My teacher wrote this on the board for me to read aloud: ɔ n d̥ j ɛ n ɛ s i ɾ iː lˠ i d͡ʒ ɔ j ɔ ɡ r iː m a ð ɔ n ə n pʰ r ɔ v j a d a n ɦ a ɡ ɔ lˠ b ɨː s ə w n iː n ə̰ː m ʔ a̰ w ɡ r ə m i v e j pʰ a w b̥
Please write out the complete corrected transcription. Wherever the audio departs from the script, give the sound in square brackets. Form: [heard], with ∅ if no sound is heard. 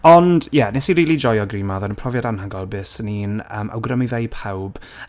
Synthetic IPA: ɔ n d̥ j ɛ n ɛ s i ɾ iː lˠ i d͡ʒ ɔ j ɔ ɡ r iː m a ð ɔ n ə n pʰ r ɔ v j a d a n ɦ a ɡ ɔ lˠ b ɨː s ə [∅] n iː n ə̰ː m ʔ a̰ w ɡ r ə m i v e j pʰ a w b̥